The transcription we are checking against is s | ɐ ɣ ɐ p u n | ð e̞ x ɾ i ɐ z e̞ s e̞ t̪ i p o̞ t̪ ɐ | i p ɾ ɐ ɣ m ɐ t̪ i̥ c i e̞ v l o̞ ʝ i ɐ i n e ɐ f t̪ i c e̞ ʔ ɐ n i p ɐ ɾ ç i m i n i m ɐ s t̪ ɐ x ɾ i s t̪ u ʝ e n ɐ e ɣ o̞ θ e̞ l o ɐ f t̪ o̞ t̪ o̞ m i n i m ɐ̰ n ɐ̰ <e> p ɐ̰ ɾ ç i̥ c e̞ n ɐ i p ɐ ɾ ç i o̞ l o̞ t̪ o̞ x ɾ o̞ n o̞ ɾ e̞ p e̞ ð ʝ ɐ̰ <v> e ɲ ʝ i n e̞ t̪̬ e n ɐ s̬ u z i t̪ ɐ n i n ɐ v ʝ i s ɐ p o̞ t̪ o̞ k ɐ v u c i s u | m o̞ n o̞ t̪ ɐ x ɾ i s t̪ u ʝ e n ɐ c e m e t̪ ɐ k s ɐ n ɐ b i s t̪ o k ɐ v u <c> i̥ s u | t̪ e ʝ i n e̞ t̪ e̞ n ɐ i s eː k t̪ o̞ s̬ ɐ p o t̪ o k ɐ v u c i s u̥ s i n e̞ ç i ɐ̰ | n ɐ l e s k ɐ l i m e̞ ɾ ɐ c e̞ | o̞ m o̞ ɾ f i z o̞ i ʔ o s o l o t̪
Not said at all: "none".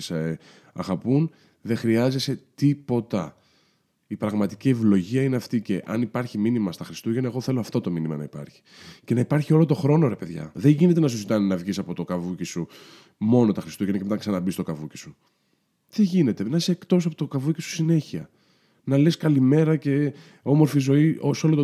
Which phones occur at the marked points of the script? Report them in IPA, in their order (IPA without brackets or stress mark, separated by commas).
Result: i, ð, c